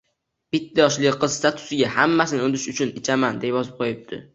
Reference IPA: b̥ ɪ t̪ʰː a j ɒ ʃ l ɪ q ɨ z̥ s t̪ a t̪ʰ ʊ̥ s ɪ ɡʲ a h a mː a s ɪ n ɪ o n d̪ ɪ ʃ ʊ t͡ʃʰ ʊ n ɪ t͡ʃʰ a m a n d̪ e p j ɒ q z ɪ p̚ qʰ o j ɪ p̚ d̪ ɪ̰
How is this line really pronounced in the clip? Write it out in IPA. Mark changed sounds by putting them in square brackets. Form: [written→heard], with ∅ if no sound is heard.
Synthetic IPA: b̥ ɪ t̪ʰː a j ɒ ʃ l ɪ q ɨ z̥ s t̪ a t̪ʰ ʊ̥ s ɪ ɡʲ a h a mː a s ɪ n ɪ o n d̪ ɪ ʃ ʊ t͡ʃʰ ʊ n ɪ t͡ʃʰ a m a n d̪ e p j ɒ [q→∅] z ɪ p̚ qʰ o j ɪ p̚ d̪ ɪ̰